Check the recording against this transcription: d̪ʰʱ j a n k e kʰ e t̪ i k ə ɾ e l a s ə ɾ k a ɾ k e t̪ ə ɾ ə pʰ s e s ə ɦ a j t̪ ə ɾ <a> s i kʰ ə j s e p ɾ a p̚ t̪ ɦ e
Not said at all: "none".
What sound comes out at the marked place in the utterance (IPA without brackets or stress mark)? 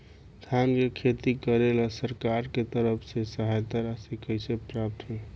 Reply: a